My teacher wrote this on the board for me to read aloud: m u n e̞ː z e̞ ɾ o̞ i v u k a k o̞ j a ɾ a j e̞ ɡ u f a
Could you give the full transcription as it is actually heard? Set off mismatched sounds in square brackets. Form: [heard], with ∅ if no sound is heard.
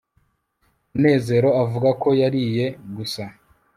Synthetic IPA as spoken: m u n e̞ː z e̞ ɾ o̞ [a] v u [ɡ] a k o̞ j a ɾ [i] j e̞ ɡ u [s] a